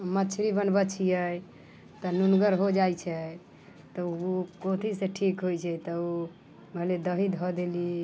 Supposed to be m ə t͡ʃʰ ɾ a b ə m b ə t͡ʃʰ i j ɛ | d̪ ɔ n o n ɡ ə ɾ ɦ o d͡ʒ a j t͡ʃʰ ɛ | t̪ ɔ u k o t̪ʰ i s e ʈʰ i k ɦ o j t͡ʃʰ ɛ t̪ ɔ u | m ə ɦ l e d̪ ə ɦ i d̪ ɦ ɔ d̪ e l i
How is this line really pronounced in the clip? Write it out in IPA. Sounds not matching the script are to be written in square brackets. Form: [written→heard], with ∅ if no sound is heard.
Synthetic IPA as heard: m ə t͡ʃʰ ɾ [a→i] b ə [m→n] b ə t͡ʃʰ i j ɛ | [d̪→t̪] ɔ n [o→u] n ɡ ə ɾ ɦ o d͡ʒ a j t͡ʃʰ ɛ | t̪ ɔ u k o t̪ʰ i s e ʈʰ i k ɦ o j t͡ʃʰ ɛ t̪ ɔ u | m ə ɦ l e d̪ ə ɦ i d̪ ɦ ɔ d̪ e l i

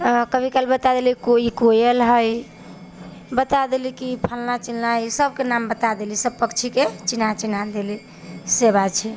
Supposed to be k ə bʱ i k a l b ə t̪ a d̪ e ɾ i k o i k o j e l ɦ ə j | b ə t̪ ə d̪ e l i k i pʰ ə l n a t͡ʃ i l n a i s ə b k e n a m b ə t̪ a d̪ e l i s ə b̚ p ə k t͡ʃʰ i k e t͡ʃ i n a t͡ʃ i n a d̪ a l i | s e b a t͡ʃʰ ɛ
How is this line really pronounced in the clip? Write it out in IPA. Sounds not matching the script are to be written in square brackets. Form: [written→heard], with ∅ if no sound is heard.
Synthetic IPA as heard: k ə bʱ i k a l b ə t̪ a d̪ e [ɾ→l] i k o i k o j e l ɦ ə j | b ə t̪ [ə→a] d̪ e l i k i pʰ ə l n a t͡ʃ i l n a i s ə b k e n a m b ə t̪ a d̪ e l i s ə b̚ p ə k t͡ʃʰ i k e t͡ʃ i n a t͡ʃ i n a d̪ [a→e] l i | s e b a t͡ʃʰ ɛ

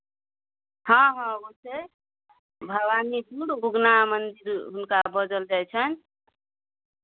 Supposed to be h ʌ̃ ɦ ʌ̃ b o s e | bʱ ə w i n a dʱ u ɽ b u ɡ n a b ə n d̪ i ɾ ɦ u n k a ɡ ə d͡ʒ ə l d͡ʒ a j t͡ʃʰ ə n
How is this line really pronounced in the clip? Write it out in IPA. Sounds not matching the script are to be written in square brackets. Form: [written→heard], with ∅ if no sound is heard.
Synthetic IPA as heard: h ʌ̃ ɦ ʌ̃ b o s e | bʱ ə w [i→a] n [a→i] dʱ u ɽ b u ɡ n a [b→m] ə n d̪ i ɾ ɦ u n k a [ɡ→b] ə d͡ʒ ə l d͡ʒ a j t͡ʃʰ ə n

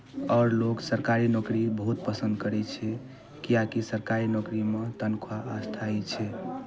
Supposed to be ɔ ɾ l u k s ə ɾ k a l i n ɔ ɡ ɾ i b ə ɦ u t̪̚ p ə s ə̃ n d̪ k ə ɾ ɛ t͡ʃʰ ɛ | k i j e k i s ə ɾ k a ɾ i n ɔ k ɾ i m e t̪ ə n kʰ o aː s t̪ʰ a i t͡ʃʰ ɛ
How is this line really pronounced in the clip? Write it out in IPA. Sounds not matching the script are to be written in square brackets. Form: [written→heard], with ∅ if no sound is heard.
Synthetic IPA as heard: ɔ ɾ l [u→o] k s ə ɾ k a [l→ɾ] i n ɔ [ɡ→k] ɾ i b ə ɦ u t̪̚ p ə s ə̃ n d̪ k ə ɾ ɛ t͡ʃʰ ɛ | k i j [e→a] k i s ə ɾ k a ɾ i n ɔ k ɾ i m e t̪ ə n kʰ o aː s t̪ʰ a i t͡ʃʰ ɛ

